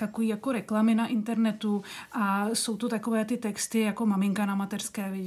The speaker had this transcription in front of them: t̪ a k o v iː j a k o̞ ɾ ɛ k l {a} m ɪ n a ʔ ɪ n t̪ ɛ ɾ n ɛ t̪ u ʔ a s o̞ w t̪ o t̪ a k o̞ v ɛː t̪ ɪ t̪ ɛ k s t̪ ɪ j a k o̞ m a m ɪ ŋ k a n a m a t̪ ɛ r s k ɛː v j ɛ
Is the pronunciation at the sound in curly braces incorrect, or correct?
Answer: correct